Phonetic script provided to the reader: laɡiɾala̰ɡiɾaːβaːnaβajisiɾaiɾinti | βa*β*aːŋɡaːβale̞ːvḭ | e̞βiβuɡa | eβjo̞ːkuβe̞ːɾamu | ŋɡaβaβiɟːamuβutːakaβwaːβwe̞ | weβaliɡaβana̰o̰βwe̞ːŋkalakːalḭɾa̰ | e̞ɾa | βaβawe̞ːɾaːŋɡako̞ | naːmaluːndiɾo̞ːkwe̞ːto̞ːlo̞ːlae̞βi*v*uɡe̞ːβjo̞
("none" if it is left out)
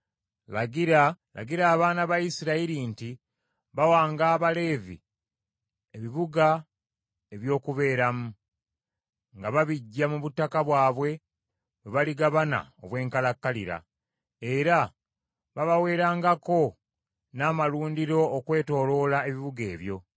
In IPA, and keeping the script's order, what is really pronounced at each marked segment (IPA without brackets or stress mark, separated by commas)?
w, β